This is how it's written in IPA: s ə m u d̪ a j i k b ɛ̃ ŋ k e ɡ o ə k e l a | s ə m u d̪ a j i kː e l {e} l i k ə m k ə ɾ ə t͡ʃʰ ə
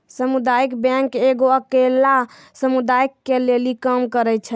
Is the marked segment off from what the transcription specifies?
no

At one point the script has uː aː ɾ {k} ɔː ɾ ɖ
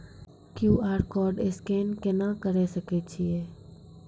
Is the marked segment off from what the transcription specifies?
no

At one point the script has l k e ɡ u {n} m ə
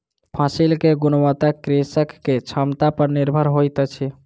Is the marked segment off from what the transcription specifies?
no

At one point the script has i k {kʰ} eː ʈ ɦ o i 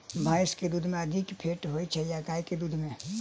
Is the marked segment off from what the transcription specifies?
yes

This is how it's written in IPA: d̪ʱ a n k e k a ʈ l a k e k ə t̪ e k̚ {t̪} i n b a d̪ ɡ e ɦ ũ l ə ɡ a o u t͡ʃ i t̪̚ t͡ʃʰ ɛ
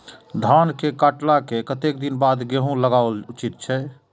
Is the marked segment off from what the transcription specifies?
yes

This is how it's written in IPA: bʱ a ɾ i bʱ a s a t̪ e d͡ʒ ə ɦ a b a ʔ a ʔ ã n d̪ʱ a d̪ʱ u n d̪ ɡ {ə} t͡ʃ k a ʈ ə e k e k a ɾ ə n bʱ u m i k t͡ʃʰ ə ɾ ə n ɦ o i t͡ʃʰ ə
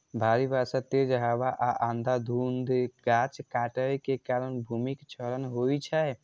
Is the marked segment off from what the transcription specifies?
yes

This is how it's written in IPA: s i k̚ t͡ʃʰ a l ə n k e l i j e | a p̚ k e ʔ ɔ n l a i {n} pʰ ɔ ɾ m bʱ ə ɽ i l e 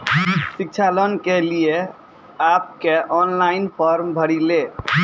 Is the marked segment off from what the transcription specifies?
no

